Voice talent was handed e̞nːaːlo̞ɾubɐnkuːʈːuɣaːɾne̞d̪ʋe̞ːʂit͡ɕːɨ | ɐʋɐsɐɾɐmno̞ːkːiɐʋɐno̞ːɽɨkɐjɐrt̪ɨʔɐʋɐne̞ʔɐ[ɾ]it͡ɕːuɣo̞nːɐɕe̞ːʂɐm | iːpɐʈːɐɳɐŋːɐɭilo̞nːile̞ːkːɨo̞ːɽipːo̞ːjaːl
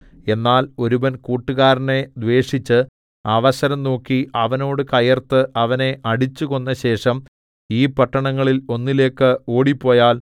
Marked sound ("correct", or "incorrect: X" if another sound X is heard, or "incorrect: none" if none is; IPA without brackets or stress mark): incorrect: ɽ